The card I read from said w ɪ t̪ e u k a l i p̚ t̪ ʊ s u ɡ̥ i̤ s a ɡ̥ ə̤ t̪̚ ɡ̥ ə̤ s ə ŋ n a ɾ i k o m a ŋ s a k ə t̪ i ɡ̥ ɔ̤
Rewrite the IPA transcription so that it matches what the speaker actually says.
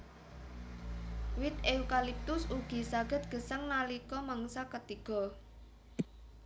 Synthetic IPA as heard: w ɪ t̪ e u k a l i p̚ t̪ ʊ s u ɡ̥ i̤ s a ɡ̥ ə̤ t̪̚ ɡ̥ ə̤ s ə ŋ n a l i k ɔ m a ŋ s a k ə t̪ i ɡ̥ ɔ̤